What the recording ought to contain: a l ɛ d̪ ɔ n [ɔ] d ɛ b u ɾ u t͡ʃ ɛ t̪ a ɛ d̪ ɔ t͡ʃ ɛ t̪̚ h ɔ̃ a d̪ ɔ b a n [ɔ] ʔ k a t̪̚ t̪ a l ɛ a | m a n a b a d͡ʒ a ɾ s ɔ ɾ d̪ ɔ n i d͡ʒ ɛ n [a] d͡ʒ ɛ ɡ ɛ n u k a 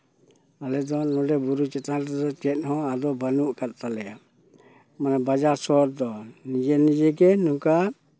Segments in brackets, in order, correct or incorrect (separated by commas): correct, incorrect, incorrect